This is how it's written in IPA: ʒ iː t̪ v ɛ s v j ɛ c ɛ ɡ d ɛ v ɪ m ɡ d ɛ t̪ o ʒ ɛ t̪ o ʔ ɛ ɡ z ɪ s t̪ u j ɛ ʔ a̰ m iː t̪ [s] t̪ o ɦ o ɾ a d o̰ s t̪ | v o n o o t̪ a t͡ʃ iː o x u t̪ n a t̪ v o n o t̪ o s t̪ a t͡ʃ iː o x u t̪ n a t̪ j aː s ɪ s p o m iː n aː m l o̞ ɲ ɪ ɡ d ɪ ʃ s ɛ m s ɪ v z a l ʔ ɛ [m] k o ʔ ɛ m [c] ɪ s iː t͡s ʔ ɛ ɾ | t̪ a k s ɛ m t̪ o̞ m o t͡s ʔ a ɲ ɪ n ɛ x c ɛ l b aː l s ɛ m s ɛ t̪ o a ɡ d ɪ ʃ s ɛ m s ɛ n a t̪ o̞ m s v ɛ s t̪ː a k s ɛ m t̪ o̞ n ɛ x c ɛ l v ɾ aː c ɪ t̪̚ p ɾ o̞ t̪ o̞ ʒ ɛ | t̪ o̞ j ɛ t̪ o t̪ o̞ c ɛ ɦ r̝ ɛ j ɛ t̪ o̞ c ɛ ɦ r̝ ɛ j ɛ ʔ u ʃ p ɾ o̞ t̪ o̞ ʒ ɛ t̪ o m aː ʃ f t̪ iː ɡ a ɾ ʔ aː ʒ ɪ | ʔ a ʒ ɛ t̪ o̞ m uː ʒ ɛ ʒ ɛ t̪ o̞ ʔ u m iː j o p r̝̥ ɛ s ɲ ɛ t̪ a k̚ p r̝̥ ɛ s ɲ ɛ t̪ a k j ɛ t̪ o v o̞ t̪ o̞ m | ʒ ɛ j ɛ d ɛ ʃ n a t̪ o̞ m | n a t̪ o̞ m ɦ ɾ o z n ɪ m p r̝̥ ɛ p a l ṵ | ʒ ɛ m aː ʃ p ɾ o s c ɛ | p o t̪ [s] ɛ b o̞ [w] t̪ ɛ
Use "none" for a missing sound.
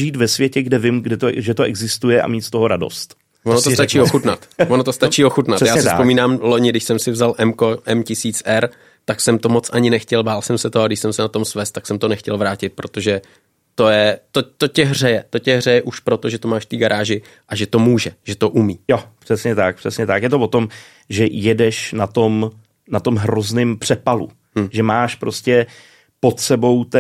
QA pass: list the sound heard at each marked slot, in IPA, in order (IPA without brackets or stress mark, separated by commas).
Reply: s, m, c, s, w